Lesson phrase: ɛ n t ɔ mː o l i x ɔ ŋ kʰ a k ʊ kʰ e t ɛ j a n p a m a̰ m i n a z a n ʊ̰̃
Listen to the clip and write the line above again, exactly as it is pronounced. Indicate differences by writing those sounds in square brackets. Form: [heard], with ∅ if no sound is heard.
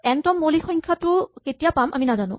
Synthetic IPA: ɛ n t ɔ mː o l i x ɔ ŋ kʰ a [t] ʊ [k] e t [i] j a [∅] p a m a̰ m i n a z a n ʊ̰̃